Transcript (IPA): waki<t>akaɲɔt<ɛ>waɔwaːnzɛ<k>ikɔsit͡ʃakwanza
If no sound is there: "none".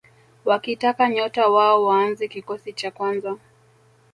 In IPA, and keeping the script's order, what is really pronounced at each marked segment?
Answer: t, a, k

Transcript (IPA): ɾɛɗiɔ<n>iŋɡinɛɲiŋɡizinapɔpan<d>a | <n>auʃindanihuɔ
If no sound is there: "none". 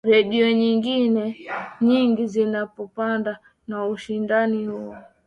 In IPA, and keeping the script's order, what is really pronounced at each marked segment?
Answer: ɲ, d, n

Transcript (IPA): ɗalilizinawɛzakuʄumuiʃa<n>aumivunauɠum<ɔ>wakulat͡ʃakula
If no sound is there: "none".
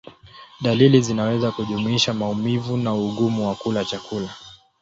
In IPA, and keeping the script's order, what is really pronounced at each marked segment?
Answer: m, u

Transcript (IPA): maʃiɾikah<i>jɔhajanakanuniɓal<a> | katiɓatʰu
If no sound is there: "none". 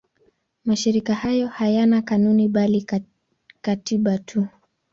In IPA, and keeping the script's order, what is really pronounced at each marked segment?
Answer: a, i

